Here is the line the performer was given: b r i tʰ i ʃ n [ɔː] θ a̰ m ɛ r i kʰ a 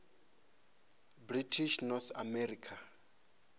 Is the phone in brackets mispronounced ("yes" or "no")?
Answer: yes